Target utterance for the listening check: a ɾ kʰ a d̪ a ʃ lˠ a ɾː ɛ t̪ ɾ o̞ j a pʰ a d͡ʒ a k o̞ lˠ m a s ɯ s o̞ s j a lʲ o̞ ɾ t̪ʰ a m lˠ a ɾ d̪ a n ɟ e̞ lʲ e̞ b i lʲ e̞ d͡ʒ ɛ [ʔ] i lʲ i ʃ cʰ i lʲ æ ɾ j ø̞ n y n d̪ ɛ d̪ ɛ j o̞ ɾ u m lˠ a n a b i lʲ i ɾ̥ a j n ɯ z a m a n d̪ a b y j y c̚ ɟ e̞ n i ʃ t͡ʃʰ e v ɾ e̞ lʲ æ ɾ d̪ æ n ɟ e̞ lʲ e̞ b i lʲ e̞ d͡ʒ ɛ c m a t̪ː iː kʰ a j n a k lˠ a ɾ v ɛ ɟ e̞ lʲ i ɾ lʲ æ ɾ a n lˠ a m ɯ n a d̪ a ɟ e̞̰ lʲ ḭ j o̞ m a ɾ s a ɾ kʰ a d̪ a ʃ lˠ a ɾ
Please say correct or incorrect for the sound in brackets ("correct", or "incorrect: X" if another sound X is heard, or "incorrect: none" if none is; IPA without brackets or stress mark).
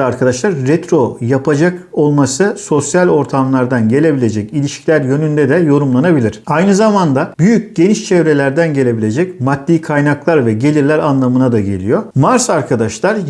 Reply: incorrect: c